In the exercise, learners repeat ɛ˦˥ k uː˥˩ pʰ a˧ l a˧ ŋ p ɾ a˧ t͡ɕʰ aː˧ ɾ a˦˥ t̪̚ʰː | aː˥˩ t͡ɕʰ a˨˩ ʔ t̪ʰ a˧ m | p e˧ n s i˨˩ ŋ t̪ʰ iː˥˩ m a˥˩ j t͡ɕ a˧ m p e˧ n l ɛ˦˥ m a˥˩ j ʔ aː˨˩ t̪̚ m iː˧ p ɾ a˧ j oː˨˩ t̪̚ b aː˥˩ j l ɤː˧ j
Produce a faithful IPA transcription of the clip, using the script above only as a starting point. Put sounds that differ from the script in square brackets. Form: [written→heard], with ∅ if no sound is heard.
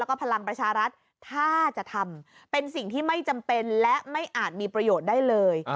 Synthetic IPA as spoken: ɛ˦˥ k [uː˥˩→ɔː˥˩] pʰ a˧ l a˧ ŋ p ɾ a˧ t͡ɕʰ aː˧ ɾ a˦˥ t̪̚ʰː | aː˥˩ [t͡ɕʰ→t͡ɕ] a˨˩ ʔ t̪ʰ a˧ m | p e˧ n s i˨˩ ŋ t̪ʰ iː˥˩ m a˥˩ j t͡ɕ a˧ m p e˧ n l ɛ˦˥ m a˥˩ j ʔ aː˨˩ t̪̚ m iː˧ p ɾ a˧ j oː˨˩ t̪̚ [b→d] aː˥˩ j l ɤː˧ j